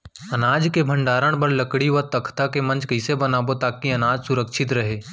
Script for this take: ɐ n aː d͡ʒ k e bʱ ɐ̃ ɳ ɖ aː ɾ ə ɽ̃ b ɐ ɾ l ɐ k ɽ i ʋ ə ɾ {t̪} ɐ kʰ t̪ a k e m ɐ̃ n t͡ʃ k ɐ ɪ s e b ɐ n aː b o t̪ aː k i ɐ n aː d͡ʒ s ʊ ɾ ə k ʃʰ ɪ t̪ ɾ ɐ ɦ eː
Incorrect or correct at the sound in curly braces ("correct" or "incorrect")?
correct